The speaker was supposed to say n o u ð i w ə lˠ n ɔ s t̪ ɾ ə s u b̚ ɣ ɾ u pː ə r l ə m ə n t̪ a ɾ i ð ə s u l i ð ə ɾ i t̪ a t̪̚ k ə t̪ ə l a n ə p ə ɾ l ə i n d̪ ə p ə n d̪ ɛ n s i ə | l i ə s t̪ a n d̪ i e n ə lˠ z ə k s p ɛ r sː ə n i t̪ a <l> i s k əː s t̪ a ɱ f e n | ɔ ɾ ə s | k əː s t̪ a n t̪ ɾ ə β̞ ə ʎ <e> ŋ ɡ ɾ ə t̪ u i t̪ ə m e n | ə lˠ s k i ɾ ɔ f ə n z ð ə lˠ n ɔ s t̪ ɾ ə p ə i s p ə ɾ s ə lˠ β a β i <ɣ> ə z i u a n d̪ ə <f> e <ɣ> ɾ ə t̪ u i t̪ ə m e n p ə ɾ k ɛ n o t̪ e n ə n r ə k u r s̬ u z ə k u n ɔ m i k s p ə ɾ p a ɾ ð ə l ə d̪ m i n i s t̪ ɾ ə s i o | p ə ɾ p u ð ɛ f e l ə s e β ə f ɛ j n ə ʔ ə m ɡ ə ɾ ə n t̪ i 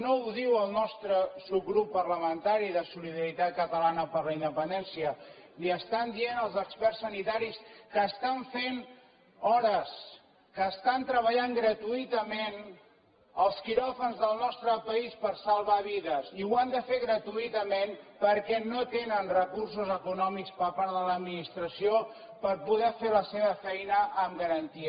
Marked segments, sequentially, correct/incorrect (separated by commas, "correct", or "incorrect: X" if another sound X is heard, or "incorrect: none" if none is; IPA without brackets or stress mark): incorrect: ɾ, incorrect: a, incorrect: ð, correct, correct